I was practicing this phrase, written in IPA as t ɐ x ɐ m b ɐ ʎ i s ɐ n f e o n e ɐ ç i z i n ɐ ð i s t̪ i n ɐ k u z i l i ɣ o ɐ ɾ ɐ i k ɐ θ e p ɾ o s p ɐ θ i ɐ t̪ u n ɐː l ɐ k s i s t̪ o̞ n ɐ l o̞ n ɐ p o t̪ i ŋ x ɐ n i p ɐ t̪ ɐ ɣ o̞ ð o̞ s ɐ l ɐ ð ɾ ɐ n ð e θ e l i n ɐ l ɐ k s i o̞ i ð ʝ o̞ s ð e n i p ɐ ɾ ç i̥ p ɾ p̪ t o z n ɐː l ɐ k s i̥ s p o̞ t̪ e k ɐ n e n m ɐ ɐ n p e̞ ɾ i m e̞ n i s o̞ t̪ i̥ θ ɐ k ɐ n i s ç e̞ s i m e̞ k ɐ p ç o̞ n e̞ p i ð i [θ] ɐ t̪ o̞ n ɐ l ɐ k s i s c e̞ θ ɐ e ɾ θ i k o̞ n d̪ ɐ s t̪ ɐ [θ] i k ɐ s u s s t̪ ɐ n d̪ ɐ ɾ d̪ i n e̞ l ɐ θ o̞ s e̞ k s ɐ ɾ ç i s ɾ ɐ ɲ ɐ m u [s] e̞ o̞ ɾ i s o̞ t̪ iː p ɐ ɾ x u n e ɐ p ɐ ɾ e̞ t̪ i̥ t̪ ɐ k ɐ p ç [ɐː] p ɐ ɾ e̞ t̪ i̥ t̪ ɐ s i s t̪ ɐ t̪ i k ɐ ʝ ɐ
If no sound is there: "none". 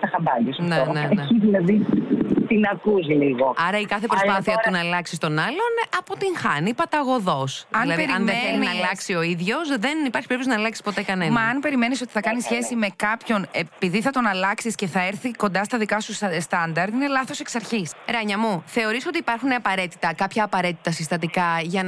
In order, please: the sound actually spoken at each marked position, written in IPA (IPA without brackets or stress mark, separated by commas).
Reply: θ, ð, θ, ɐː